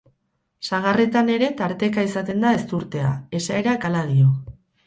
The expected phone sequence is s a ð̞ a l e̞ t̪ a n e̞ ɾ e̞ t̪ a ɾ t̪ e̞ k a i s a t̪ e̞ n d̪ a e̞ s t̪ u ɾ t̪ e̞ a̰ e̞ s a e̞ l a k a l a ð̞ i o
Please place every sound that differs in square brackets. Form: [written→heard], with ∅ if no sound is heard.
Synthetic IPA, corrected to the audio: s a [ð̞→ɣ̞] a [l→r] e̞ t̪ a n e̞ ɾ e̞ t̪ a ɾ t̪ e̞ k a i s a t̪ e̞ n d̪ a e̞ s t̪ u ɾ t̪ e̞ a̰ e̞ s a e̞ [l→ɾ] a k a l a ð̞ i o